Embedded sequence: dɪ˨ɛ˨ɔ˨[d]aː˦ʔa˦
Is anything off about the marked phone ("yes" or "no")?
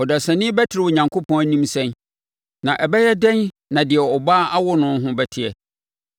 yes